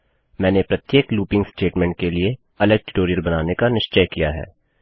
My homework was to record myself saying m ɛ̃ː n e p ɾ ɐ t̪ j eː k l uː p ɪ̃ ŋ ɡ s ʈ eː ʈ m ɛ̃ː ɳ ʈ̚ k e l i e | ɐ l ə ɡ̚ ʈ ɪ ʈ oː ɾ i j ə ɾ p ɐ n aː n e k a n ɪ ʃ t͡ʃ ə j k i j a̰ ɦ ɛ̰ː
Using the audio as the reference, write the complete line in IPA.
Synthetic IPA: m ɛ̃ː n e p ɾ ɐ t̪ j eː k l uː p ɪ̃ ŋ ɡ s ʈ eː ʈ m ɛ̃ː ɳ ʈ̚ k e l i e | ɐ l ə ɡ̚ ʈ ɪ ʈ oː ɾ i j ə ɾ b ɐ n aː n e k a n ɪ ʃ t͡ʃ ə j k i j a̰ ɦ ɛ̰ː